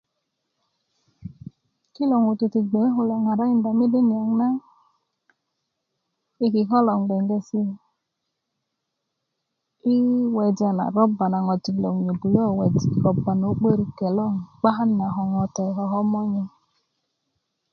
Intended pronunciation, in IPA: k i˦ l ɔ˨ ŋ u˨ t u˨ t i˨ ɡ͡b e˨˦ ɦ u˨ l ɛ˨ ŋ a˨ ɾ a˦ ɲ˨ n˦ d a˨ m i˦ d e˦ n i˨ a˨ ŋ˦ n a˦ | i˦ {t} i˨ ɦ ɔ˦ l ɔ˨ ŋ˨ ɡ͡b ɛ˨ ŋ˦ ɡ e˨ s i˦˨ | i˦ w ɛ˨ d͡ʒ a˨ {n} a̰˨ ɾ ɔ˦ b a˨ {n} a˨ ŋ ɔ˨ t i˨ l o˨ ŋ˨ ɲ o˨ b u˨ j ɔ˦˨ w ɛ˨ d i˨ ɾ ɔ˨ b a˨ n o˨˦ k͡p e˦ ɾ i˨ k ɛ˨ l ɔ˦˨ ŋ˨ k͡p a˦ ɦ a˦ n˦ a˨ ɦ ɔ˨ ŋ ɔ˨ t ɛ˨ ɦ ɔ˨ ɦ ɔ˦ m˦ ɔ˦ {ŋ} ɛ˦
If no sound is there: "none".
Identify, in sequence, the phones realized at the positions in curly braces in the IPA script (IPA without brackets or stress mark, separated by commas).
k, n, n, ɲ